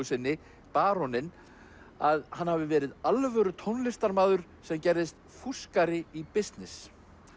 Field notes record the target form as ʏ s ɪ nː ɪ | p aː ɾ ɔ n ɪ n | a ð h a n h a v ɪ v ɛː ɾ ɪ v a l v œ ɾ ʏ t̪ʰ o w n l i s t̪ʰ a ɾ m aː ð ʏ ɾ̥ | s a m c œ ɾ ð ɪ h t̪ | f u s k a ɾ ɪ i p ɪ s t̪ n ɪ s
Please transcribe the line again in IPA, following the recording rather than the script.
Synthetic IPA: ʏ s ɪ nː ɪ | p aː ɾ ɔ n ɪ n | a ð h a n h a v ɪ v ɛː ɾ ɪ ð a l v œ ɾ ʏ t̪ʰ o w n l ɪ s t̪ a ɾ m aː ð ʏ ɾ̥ | s ɛ m c ɛ ɾ ð ɪ s t̪ | f u s k a ɾ ɪ i p ɪ s t̪ n ɪ s